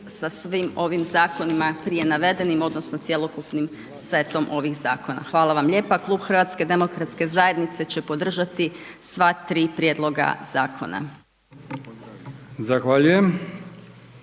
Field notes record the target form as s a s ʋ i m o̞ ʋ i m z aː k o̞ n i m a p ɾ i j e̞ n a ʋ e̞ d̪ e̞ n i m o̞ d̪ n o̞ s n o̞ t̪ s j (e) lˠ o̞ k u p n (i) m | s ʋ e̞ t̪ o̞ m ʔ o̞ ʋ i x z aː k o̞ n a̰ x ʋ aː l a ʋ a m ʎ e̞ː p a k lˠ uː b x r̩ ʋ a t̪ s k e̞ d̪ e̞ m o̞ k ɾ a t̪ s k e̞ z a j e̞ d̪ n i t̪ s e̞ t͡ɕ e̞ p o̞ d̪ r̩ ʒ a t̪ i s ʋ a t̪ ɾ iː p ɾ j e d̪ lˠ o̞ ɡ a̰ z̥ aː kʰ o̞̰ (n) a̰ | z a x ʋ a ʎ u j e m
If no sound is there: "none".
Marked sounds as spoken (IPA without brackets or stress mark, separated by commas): e, i, n